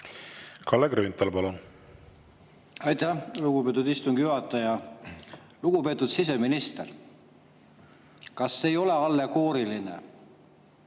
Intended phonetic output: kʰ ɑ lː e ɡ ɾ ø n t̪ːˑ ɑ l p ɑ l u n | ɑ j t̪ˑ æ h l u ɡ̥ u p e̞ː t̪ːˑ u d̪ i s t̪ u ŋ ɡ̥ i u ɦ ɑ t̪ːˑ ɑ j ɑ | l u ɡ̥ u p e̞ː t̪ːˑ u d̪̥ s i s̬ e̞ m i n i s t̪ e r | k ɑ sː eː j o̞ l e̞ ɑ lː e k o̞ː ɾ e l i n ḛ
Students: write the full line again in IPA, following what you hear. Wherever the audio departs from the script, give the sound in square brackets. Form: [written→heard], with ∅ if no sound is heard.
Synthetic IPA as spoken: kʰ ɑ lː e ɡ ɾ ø n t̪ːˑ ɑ l p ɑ l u n | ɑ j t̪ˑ æ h l u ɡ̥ u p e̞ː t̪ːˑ u d̪ i s t̪ u ŋ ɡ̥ [i→j] u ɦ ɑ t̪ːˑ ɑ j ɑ | l u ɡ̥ u p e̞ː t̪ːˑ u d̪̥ s i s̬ e̞ m i n i s t̪ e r | k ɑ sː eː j o̞ l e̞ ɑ lː e k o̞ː ɾ [e→i] l i n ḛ